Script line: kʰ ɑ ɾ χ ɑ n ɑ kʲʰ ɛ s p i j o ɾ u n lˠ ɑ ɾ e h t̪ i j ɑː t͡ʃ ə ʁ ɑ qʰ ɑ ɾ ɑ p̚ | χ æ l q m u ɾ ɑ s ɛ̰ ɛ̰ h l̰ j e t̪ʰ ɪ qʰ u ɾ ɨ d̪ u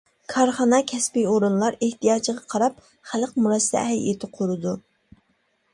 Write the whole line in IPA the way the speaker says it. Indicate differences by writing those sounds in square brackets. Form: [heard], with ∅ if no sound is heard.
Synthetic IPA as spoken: kʰ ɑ ɾ χ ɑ n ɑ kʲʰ ɛ s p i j o ɾ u n lˠ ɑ ɾ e h t̪ i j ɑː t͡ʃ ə ʁ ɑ qʰ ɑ ɾ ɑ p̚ | χ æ l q m u ɾ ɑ s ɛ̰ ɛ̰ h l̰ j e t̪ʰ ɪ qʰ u ɾ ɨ d̪ u